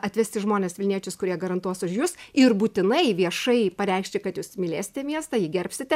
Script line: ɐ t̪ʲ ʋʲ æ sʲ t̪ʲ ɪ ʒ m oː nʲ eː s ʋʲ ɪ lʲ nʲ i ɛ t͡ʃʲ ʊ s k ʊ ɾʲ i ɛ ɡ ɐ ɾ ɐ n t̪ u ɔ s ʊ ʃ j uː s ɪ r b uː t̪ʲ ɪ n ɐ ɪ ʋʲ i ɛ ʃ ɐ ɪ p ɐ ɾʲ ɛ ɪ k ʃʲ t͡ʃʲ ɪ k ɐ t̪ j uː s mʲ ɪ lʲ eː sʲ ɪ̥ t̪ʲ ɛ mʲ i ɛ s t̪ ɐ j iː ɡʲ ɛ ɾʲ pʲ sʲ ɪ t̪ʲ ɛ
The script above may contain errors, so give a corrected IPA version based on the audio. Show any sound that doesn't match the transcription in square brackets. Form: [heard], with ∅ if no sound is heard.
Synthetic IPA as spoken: ɐ t̪ʲ ʋʲ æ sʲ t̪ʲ ɪ ʒ m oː nʲ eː s ʋʲ ɪ lʲ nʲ i ɛ t͡ʃʲ ʊ s k ʊ ɾʲ i ɛ ɡ ɐ ɾ ɐ n t̪ u ɔ s ʊ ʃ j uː s ɪ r b uː t̪ʲ ɪ n ɐ ɪ ʋʲ i ɛ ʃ ɐ ɪ p ɐ ɾʲ ɛ ɪ k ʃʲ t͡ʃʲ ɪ k ɐ t̪ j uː s mʲ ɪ lʲ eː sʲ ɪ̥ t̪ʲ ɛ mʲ i ɛ s t̪ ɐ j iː ɡʲ ɛ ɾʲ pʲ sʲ ɪ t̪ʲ ɛ